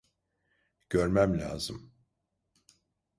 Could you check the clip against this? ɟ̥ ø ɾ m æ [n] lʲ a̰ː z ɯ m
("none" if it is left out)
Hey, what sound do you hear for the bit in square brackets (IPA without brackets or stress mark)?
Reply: m